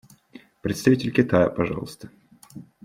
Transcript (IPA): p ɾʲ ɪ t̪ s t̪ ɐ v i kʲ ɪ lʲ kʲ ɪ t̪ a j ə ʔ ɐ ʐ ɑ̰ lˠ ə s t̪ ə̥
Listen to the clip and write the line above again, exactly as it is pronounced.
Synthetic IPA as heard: p ɾʲ ɪ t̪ s t̪ ɐ v i tʲ ɪ lʲ kʲ ɪ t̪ a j ə p ɐ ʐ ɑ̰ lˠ ə s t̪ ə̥